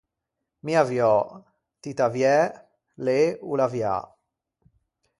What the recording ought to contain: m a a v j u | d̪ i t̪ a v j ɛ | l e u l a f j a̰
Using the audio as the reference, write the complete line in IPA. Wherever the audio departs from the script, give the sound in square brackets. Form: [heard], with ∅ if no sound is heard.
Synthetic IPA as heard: m [i] a v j [ɔ] | [t̪] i t̪ a v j ɛ | l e u l a [v] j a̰